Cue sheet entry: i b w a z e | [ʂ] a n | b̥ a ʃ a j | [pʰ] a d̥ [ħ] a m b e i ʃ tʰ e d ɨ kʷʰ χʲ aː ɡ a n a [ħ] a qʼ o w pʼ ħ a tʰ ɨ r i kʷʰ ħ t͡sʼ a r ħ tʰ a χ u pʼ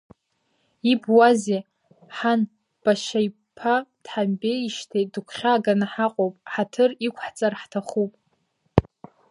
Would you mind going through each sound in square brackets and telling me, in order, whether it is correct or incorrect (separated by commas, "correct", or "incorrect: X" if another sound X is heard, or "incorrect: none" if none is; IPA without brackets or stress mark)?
incorrect: ħ, correct, correct, correct